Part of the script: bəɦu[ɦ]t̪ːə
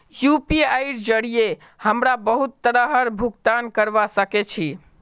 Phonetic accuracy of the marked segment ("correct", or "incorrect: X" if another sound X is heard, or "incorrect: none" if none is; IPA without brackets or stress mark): incorrect: none